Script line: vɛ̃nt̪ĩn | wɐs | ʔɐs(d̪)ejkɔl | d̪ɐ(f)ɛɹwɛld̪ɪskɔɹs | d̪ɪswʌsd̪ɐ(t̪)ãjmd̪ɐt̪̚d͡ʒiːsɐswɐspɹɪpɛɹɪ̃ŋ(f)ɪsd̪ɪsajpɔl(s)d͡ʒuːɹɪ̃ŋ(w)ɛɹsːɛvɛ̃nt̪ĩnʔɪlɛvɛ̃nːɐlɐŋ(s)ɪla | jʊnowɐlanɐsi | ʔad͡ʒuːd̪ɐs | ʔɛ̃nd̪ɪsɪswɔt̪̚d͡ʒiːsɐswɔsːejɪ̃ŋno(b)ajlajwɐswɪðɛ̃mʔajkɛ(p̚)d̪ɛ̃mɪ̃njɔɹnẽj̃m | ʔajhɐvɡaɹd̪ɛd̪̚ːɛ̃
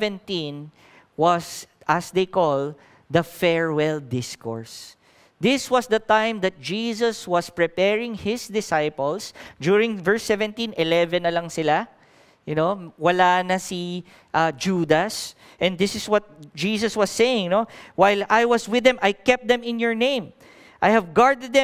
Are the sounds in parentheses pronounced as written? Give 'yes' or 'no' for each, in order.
yes, yes, yes, no, yes, no, yes, no, yes

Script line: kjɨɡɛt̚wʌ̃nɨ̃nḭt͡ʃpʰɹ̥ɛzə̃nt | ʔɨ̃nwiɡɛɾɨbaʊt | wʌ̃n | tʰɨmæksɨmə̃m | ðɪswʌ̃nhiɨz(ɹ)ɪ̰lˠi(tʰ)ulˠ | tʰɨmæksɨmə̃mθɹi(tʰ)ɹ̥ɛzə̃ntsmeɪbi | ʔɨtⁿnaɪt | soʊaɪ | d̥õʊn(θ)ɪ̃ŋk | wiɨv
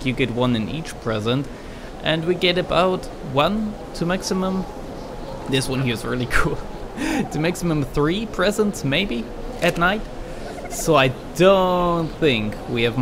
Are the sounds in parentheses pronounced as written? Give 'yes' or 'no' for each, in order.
yes, no, no, yes

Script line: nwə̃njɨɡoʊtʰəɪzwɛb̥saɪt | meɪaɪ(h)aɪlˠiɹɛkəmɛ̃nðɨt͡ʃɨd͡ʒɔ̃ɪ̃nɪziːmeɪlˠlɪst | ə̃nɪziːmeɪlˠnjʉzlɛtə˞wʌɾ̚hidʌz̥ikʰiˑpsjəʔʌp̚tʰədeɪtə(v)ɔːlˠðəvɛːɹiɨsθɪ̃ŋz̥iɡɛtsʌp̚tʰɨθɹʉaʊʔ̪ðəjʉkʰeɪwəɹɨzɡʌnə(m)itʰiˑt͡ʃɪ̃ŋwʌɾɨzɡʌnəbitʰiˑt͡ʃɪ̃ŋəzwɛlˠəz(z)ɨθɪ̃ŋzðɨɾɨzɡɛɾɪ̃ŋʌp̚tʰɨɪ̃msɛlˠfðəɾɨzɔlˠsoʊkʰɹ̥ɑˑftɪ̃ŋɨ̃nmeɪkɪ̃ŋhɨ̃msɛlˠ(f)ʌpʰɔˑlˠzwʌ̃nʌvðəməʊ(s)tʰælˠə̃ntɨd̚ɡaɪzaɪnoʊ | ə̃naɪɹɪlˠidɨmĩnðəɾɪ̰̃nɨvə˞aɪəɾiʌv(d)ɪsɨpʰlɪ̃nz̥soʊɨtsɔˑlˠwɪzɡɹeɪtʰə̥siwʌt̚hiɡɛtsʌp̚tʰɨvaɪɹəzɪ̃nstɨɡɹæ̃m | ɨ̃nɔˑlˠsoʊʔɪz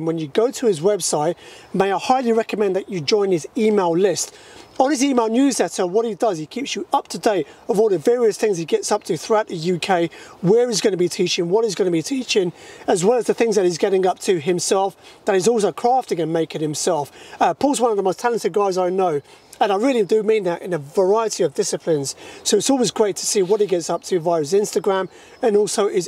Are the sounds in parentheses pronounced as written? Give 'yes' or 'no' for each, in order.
yes, yes, no, no, yes, yes, yes

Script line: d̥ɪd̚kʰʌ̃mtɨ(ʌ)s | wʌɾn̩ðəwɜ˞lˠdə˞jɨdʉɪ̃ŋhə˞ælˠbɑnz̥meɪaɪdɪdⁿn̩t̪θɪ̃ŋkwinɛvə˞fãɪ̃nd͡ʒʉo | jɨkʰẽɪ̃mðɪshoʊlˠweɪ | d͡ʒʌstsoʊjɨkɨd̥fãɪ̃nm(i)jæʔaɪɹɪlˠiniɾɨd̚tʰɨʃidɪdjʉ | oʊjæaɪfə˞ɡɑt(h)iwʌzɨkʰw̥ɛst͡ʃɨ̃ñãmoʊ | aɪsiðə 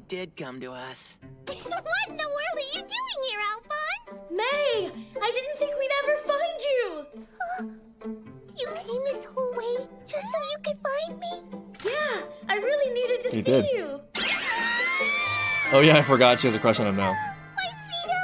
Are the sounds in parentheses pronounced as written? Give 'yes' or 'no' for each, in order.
yes, yes, no

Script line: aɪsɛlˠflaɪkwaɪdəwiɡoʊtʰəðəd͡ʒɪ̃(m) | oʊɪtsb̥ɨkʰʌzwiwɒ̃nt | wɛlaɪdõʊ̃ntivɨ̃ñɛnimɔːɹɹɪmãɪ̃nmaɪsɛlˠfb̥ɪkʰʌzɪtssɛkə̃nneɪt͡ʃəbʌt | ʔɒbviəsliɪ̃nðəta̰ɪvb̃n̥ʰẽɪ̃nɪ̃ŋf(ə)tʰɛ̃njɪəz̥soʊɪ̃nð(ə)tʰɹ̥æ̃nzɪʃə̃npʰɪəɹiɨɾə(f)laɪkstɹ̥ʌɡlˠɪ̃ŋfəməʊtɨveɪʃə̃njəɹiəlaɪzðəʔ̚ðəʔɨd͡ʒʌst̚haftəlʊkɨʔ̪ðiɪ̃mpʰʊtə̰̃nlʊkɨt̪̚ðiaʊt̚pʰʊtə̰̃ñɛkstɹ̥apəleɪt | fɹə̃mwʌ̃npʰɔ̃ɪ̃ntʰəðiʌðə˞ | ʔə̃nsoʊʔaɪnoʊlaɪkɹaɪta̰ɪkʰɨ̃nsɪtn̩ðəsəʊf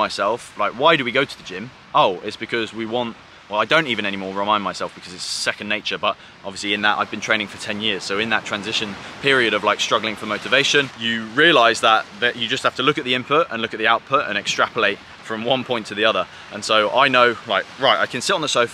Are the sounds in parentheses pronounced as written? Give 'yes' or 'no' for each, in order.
yes, yes, yes, no

